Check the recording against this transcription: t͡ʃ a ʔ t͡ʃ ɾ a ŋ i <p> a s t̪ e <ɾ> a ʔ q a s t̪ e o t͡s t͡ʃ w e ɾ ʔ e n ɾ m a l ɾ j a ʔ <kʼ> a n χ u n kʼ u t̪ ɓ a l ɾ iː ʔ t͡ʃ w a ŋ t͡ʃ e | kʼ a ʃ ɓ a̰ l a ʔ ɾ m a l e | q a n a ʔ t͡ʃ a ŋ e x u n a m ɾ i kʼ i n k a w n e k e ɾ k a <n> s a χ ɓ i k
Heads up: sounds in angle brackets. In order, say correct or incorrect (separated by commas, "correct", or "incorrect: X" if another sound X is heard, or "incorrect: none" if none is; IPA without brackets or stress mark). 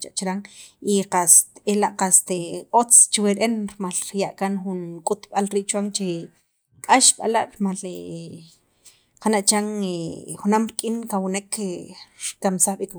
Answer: incorrect: q, incorrect: l, incorrect: k, incorrect: m